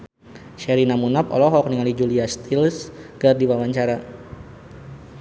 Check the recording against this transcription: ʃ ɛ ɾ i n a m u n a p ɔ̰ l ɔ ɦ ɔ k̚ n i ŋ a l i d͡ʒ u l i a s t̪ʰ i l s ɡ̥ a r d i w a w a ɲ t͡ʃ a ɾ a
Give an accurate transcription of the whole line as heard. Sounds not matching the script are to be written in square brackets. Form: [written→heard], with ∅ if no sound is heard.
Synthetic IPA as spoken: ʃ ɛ ɾ i n a m u n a p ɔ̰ l ɔ ɦ ɔ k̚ n i ŋ a l i d͡ʒ u l i a s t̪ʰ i l s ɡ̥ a r d i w a w a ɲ t͡ʃ a ɾ a